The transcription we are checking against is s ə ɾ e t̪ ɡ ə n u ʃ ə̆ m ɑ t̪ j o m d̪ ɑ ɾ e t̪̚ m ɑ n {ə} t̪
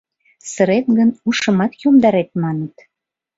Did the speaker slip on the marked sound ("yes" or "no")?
no